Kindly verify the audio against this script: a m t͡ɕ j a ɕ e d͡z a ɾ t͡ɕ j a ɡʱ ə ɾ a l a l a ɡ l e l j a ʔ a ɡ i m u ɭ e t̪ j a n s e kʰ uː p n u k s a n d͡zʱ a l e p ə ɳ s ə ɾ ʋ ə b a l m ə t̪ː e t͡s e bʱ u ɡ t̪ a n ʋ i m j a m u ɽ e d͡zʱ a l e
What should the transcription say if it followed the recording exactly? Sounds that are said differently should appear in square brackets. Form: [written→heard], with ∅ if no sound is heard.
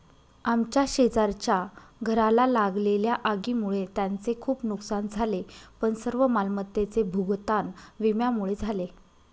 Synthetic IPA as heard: a m t͡ɕ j a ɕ e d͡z a ɾ t͡ɕ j a ɡʱ ə ɾ a l a l a ɡ l e l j a ʔ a ɡ i m u ɭ e t̪ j a n [s→t͡s] e kʰ uː p n u k s a n d͡zʱ a l e p ə ɳ s ə ɾ ʋ ə [b→m] a l m ə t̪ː e t͡s e bʱ u ɡ t̪ a n ʋ i m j a m u [ɽ→ɭ] e d͡zʱ a l e

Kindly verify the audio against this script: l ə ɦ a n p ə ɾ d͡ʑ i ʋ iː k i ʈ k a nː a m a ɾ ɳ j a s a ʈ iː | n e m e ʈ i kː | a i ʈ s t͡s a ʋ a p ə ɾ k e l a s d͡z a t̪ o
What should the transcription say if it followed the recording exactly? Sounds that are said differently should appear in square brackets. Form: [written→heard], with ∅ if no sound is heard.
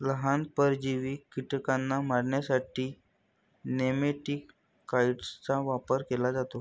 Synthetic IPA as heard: l ə ɦ a n p ə ɾ d͡ʑ i ʋ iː k i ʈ k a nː a m a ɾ ɳ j a s a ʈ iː | n e m e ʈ i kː | a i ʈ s t͡s a ʋ a p ə ɾ k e l a [s→∅] d͡z a t̪ o

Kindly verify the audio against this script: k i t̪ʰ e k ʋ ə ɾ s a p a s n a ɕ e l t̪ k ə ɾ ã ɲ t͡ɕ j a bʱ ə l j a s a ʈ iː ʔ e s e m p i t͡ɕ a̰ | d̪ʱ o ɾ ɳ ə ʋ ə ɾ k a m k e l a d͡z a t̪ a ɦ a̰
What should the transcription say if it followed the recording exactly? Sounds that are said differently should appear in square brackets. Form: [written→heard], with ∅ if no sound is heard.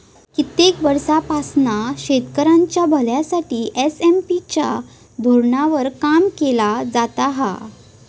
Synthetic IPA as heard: k i [t̪ʰ→t̪] e k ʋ ə ɾ s a p a s n a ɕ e [l→∅] t̪ k ə ɾ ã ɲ t͡ɕ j a bʱ ə l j a s a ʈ iː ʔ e s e m p i t͡ɕ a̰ | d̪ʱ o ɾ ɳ [ə→a] ʋ ə ɾ k a m k e l a d͡z a t̪ a ɦ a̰

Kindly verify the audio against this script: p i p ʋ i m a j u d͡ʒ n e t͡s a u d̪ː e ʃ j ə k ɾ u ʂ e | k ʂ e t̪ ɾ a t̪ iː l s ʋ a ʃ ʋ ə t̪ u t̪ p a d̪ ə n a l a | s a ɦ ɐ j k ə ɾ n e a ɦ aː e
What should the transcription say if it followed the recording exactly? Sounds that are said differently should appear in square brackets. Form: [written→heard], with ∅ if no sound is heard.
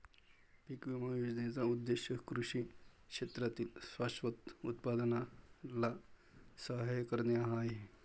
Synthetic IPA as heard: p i [p→k] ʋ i m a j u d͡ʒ n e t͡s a u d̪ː e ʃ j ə k ɾ u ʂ [e→i] | k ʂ e t̪ ɾ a t̪ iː l s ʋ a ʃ ʋ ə t̪ u t̪ p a d̪ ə n a l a | s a ɦ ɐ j k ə ɾ n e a ɦ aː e

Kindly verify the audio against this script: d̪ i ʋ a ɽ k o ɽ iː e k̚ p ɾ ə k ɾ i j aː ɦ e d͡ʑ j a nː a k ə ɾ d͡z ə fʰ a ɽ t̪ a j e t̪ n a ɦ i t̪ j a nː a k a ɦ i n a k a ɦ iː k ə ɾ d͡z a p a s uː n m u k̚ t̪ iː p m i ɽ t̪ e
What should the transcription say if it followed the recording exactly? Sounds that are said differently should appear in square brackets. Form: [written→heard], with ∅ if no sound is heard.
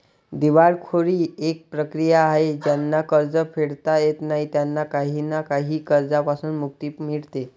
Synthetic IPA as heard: d̪ i ʋ a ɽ [k→kʰ] o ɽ iː e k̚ p ɾ ə k ɾ i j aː ɦ e d͡ʑ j a nː a k ə ɾ d͡z ə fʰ [a→e] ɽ t̪ a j e t̪ n a ɦ i t̪ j a nː a k a ɦ i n a k a ɦ iː k ə ɾ d͡z a p a s uː n m u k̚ t̪ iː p m i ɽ t̪ e

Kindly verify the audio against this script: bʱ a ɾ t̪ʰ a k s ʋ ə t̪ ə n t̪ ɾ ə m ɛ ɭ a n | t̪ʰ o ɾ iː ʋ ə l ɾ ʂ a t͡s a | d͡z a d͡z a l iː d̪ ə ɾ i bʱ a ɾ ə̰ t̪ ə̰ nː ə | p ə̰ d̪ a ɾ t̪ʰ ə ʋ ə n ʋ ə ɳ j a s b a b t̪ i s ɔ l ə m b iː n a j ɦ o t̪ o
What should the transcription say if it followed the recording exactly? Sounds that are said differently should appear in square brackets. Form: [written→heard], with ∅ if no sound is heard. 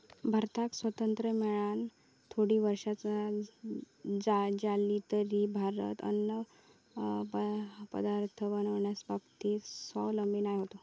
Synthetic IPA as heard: bʱ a ɾ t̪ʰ a k s ʋ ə t̪ ə n t̪ ɾ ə m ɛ ɭ a n | t̪ʰ o [ɾ→ɽ] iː ʋ ə [l→∅] ɾ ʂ a t͡s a | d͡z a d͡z a l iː [d̪→t̪] ə ɾ i bʱ a ɾ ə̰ t̪ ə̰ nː ə | p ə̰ d̪ a ɾ t̪ʰ ə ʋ ə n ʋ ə ɳ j a s b a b t̪ i s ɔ l ə m b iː n a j ɦ o t̪ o

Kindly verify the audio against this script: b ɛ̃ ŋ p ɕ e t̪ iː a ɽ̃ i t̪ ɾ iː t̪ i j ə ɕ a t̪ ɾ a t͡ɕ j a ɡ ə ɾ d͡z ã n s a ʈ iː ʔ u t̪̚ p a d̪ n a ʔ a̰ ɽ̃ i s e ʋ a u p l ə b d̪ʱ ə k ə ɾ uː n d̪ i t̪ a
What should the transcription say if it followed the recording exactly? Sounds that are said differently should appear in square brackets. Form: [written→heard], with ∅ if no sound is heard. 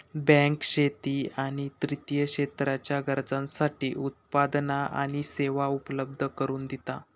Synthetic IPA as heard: b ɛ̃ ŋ [p→k] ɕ e t̪ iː a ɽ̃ i t̪ ɾ [iː→i] t̪ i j ə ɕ [a→e] t̪ ɾ a t͡ɕ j a ɡ ə ɾ d͡z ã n s a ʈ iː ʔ u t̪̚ p a d̪ n a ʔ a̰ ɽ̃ i s e ʋ a u p l ə b d̪ʱ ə k ə ɾ uː n d̪ i t̪ a

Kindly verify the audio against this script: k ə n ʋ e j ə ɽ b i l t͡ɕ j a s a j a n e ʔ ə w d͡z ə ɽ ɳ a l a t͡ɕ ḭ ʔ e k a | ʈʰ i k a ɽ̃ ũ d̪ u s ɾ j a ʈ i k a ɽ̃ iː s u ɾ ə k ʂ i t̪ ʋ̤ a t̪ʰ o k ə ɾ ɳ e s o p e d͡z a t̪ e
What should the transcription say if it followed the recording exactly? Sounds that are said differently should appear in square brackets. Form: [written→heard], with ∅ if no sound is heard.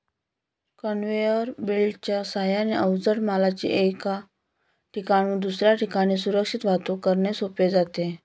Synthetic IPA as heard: k ə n ʋ e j ə [ɽ→ɾ] b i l t͡ɕ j a s a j a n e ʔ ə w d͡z ə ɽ [ɳ→m] a l a t͡ɕ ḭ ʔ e k a | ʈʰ i k a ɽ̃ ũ d̪ u s ɾ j a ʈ i k a ɽ̃ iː s u ɾ ə k ʂ i t̪ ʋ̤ a [t̪ʰ→t̪] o k ə ɾ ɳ e s o p e d͡z a t̪ e

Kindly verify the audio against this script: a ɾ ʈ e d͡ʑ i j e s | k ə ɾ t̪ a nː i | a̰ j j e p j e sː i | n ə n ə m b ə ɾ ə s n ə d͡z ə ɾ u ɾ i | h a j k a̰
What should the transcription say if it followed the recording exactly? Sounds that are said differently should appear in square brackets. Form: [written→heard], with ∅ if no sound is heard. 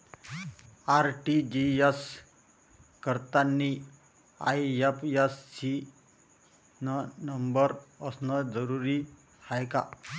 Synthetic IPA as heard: a ɾ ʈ [e→i] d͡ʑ i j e s | k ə ɾ t̪ a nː i | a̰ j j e p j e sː i | n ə n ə m b ə ɾ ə s n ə d͡z ə ɾ u ɾ i | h a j k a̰

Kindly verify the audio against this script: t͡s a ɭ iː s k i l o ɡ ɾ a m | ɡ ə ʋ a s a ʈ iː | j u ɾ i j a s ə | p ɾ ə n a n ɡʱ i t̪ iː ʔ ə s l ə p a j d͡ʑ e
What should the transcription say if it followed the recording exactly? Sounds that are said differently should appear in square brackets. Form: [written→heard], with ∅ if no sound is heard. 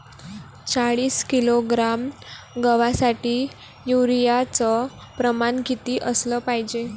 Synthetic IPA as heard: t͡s a ɭ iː s k i l o ɡ ɾ a m | ɡ ə ʋ a s a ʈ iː | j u ɾ i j a [s→t͡s] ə | p ɾ ə [n→m] a n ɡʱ i t̪ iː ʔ ə s l ə p a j d͡ʑ e

